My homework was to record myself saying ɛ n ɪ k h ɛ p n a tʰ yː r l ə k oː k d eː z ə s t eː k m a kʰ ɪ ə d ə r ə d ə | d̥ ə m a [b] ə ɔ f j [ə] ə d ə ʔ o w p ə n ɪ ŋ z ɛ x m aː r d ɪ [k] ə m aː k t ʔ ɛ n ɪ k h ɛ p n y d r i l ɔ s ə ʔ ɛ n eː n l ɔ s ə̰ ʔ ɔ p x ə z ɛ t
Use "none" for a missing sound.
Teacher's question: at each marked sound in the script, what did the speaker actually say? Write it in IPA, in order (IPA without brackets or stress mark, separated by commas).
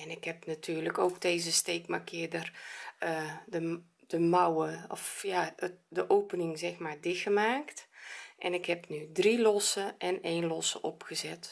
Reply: w, a, x